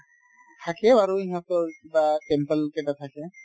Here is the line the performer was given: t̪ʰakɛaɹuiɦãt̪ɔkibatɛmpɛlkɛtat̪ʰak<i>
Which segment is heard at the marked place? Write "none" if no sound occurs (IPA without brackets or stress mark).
ɛ